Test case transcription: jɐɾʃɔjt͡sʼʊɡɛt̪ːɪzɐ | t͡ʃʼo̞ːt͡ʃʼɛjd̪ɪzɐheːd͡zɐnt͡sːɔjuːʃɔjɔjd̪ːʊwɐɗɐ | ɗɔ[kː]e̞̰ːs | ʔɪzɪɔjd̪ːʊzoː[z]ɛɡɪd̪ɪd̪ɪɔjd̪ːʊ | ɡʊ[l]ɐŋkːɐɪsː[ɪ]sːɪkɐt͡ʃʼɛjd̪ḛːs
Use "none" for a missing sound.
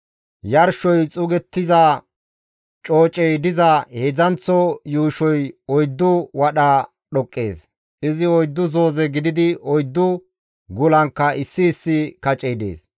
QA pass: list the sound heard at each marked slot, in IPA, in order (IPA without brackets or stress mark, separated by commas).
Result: kʼː, z, l, ɪː